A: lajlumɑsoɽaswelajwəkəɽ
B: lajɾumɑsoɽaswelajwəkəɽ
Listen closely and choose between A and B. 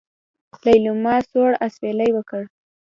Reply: A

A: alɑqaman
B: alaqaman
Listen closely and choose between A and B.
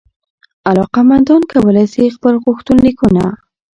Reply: A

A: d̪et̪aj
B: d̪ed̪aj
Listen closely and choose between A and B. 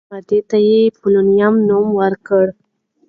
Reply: A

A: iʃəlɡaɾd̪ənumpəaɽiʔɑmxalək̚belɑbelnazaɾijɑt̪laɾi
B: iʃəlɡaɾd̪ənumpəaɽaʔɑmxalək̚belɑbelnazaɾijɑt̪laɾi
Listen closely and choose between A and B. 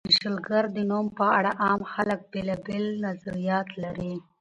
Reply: B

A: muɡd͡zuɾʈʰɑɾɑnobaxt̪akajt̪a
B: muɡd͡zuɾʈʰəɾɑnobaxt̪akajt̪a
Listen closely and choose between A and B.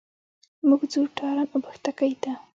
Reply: A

